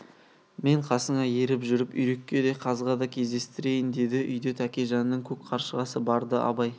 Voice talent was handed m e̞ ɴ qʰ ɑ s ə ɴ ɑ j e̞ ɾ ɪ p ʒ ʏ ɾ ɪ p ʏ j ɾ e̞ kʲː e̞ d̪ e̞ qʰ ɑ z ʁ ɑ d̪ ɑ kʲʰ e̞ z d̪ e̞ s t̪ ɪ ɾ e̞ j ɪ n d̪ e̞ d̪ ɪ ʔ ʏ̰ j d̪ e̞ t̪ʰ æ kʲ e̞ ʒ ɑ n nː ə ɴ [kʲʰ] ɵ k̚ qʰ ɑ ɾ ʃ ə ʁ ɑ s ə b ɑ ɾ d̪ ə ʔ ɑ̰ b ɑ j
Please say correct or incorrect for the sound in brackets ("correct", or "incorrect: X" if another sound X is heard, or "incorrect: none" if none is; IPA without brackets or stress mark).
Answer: correct